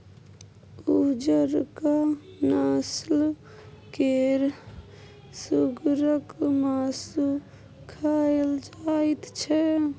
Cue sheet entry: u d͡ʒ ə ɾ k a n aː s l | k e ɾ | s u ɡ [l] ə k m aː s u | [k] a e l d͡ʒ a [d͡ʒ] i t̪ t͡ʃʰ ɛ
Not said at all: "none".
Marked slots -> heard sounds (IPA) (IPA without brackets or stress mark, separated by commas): ɾ, kʰ, none